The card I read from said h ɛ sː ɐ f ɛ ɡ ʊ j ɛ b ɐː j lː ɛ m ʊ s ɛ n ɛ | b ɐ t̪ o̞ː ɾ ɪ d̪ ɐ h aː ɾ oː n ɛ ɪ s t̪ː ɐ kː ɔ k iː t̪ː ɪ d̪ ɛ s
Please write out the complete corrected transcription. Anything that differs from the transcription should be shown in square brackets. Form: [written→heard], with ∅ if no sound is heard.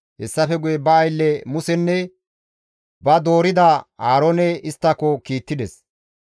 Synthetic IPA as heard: h ɛ sː ɐ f ɛ ɡ ʊ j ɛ b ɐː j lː ɛ m ʊ s ɛ [n→nː] ɛ | b ɐ [t̪→d̪] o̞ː ɾ ɪ d̪ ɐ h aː ɾ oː n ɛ ɪ s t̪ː ɐ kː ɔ k iː t̪ː ɪ d̪ ɛ s